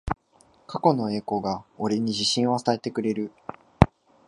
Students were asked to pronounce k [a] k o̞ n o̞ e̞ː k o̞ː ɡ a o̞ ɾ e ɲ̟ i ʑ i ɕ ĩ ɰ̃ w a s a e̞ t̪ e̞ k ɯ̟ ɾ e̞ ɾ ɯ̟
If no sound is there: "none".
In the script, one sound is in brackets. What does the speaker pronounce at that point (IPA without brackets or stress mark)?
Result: a